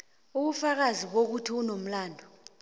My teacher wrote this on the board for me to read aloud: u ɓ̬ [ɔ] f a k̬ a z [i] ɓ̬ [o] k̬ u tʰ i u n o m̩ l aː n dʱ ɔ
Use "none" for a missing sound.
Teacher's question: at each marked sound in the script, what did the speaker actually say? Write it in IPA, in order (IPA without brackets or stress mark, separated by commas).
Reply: u, i, o